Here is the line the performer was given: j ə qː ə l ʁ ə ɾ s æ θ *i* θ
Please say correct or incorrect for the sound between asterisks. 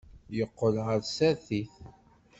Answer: correct